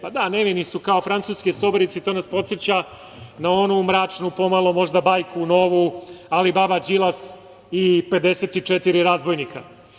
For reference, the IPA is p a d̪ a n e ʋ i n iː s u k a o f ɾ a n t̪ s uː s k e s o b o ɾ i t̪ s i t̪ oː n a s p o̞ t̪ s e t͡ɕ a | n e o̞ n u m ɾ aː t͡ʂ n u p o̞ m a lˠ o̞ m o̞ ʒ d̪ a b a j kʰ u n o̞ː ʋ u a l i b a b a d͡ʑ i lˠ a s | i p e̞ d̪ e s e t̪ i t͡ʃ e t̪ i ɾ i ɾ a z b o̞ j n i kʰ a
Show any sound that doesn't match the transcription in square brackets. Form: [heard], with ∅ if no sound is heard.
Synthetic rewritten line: p a d̪ a n e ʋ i n [i] s u k a o f ɾ a n t̪ s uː s k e s o b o ɾ i t̪ s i t̪ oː n a s p o̞ t̪ s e t͡ɕ a | n [a] o̞ n u m ɾ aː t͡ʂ n u p o̞ m a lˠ o̞ m o̞ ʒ d̪ a b a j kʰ u n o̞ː ʋ u a l i b a b a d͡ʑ i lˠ a s | i p e̞ d̪ e s e t̪ i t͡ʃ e t̪ i ɾ i ɾ a z b o̞ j n i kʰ a